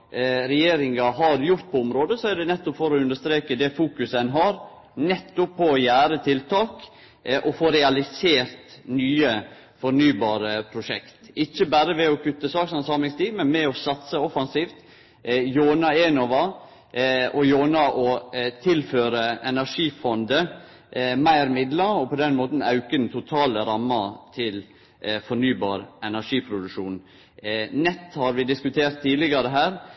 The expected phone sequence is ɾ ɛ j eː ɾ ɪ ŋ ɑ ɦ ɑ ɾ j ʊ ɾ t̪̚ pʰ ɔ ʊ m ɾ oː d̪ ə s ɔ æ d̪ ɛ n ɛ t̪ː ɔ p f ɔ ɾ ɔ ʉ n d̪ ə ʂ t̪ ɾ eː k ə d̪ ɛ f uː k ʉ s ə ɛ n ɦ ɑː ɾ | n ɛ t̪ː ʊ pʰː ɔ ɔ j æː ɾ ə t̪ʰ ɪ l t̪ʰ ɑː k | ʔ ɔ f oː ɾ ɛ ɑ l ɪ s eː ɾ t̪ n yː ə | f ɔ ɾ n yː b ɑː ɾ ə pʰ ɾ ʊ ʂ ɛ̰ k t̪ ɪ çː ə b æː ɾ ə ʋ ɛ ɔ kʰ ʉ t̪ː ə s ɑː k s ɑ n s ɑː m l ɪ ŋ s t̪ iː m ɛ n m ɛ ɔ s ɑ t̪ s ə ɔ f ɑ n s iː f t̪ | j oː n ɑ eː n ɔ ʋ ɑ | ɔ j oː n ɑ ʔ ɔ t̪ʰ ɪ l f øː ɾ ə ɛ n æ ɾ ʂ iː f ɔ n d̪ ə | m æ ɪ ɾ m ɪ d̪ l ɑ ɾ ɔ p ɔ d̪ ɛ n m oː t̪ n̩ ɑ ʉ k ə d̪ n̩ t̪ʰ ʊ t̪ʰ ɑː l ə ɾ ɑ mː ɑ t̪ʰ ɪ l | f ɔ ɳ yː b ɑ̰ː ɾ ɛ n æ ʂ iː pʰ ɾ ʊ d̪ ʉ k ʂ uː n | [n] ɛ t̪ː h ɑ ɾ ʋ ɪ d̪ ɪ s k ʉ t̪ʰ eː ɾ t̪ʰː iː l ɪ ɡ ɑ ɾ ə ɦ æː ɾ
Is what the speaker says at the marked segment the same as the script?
yes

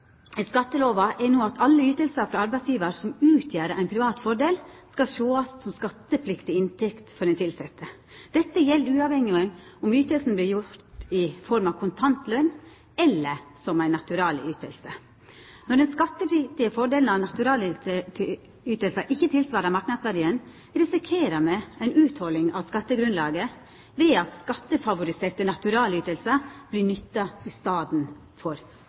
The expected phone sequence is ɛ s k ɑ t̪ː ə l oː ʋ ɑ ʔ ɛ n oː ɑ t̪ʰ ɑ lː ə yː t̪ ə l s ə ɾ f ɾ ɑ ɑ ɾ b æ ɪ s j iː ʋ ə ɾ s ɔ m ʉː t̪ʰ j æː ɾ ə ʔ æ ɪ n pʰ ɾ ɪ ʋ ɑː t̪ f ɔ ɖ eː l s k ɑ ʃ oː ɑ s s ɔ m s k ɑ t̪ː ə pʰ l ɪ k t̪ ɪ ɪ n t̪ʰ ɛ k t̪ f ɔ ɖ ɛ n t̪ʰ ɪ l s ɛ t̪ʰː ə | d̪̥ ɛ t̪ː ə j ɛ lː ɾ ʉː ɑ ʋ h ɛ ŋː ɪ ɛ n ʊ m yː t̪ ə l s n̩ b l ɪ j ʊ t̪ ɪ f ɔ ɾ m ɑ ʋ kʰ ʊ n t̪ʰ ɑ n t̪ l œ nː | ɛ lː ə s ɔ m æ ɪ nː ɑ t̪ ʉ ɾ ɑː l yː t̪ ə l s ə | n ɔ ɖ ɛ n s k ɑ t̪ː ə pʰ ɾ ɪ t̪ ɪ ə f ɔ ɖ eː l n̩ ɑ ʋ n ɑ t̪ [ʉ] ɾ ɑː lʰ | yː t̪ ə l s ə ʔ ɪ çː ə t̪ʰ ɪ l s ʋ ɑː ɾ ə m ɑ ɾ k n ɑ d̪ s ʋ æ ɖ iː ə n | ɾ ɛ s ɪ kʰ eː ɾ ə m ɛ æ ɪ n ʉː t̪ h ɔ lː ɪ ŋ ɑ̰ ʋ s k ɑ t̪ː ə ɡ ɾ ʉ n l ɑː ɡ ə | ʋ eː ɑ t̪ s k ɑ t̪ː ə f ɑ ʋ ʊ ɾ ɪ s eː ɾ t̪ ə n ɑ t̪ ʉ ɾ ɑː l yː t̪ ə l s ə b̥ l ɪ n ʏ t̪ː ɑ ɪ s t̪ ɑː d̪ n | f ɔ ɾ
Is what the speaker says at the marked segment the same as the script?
yes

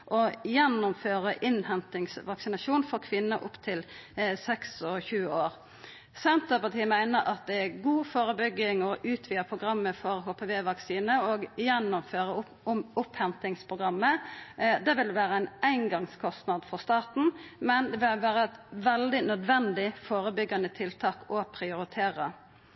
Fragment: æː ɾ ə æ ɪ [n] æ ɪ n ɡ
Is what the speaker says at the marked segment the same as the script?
yes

